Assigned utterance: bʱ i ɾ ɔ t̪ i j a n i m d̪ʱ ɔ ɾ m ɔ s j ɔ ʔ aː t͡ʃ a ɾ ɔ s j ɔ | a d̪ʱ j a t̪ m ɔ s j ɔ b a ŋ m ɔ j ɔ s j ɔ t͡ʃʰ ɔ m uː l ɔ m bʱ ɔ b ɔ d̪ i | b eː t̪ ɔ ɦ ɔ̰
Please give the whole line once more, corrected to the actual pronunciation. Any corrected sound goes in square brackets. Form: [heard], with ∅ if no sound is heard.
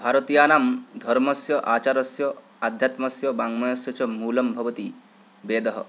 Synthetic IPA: bʱ [a] ɾ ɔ t̪ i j a n [a] m d̪ʱ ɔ ɾ m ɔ s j ɔ ʔ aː t͡ʃ a ɾ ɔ s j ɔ | a d̪ʱ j a t̪ m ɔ s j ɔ b a ŋ m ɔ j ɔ s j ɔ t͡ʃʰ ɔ m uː l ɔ m bʱ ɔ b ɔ [t̪] i | b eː [d̪] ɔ ɦ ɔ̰